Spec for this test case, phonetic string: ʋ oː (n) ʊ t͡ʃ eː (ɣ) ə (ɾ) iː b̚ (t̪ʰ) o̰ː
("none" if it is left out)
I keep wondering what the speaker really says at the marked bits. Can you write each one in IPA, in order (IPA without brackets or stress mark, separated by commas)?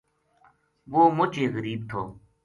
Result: m, ɣ, ɾ, t̪ʰ